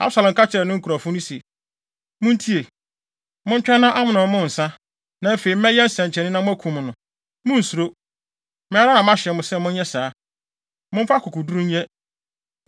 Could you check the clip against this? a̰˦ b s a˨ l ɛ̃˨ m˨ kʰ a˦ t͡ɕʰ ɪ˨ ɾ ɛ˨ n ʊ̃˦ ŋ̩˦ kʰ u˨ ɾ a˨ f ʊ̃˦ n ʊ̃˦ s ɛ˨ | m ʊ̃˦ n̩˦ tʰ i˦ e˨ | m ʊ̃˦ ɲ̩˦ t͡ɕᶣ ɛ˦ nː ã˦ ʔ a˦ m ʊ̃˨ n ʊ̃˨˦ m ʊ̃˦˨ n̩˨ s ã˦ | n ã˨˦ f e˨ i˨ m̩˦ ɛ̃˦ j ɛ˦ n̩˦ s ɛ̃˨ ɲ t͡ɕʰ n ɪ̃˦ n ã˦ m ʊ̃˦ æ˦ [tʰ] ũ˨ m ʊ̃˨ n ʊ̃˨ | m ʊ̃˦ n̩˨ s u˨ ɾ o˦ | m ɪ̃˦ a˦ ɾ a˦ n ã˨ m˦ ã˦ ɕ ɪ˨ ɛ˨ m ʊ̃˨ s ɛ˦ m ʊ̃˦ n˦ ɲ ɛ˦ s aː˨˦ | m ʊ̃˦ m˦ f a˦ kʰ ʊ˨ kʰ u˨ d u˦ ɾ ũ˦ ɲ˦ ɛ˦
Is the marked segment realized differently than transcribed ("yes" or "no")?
yes